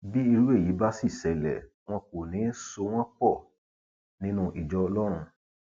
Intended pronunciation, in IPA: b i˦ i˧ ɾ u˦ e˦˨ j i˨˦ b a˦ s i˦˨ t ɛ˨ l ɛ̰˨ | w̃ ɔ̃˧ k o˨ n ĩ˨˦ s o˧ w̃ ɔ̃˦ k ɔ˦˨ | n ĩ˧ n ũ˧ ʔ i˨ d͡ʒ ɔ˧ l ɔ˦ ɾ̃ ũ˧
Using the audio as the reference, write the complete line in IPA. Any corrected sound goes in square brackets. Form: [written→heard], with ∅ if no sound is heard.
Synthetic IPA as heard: b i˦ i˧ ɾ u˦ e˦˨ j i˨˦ b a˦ s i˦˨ [t→s] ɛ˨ l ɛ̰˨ | w̃ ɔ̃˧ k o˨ n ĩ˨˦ s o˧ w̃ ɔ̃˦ [k→k͡p] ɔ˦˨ | n ĩ˧ n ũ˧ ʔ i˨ d͡ʒ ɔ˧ l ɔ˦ ɾ̃ ũ˧